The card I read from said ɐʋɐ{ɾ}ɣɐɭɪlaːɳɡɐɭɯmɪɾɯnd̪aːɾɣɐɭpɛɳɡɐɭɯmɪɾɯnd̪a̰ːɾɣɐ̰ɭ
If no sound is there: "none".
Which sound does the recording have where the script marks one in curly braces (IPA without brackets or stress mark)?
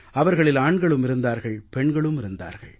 ɾ